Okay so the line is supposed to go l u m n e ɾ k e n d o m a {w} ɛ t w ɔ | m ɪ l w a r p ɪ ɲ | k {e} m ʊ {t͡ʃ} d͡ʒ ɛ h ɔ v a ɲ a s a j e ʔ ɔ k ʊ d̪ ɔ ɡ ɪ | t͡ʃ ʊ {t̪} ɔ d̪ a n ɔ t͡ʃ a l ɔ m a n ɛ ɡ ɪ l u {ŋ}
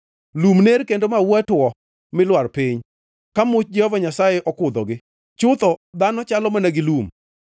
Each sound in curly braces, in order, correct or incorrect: correct, incorrect: a, correct, correct, incorrect: m

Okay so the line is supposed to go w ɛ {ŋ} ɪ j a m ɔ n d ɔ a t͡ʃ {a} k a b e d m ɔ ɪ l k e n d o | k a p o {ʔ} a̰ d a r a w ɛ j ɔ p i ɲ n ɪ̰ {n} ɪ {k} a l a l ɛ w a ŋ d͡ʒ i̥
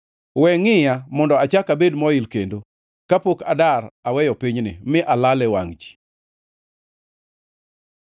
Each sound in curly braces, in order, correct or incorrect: correct, correct, incorrect: k, incorrect: m, incorrect: ʔ

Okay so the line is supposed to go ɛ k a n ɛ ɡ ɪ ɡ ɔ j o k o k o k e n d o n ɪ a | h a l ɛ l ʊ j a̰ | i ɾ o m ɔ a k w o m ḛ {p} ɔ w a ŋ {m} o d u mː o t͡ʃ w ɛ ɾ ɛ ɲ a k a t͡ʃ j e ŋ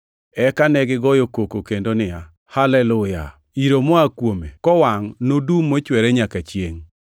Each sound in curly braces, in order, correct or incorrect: incorrect: k, incorrect: n

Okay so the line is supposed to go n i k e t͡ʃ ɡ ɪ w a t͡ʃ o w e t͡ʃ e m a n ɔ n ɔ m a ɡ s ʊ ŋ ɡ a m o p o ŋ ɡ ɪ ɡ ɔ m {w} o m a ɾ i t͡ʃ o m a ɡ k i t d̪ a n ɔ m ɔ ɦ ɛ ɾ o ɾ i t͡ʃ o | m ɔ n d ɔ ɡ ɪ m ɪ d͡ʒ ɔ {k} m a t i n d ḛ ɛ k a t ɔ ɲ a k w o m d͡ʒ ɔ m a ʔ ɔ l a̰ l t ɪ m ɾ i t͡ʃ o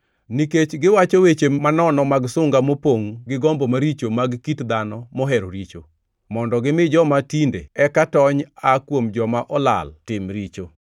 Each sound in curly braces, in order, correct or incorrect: incorrect: b, incorrect: none

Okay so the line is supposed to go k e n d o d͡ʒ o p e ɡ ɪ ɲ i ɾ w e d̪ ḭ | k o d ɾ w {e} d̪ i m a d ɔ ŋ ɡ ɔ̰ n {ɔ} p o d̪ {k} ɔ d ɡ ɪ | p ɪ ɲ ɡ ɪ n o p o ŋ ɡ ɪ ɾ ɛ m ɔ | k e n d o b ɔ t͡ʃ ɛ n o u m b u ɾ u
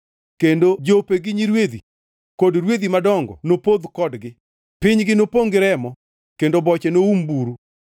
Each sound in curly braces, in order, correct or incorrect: correct, incorrect: o, correct

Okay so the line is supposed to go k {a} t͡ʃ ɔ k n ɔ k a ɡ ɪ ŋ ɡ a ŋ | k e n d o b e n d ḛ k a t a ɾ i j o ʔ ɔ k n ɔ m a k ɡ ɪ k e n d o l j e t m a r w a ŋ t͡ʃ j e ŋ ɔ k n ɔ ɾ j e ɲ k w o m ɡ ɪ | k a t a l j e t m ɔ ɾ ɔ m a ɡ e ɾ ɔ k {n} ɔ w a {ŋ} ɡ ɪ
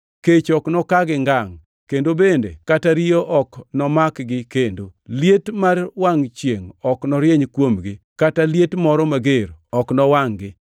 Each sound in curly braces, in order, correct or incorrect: incorrect: e, correct, correct

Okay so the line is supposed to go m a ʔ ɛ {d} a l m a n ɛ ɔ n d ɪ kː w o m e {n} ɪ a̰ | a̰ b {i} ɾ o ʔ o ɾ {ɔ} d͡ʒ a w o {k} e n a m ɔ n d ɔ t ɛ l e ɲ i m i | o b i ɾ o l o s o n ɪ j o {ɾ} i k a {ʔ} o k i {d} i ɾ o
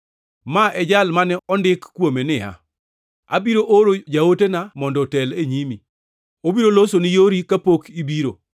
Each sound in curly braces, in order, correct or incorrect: incorrect: d͡ʒ, correct, correct, incorrect: o, incorrect: t, correct, incorrect: p, incorrect: b

